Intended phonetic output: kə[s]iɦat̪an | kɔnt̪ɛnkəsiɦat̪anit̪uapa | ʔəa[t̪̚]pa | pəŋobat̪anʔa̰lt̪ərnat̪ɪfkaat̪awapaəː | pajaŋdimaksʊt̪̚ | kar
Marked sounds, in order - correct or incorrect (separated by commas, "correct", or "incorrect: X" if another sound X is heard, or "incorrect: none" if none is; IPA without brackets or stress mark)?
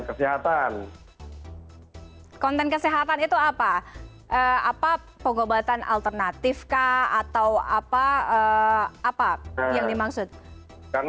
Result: correct, incorrect: none